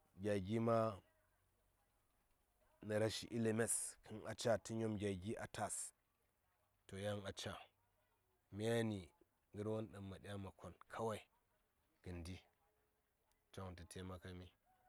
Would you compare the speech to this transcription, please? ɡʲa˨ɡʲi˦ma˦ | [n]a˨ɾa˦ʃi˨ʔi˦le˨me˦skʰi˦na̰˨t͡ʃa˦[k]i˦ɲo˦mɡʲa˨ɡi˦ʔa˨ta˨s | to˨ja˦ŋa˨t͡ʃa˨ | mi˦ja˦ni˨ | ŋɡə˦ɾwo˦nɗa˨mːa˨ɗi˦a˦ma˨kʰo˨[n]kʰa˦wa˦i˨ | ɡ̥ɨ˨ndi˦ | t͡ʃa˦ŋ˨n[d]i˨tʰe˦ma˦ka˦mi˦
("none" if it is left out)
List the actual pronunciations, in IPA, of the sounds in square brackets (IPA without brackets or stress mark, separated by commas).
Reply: n, t, n, t